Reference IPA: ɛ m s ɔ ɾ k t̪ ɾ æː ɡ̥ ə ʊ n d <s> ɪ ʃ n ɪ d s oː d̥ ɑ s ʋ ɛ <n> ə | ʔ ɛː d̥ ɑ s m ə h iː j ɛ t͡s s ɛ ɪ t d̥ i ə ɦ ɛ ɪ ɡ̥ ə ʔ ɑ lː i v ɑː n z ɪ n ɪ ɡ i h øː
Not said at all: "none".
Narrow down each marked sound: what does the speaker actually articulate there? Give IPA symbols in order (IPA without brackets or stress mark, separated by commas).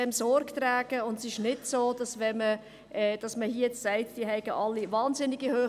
s, m